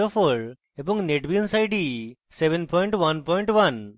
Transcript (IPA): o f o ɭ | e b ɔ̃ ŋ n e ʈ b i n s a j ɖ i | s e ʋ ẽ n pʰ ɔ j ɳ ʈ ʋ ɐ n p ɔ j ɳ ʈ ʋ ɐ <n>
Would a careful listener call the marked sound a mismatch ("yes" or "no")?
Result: no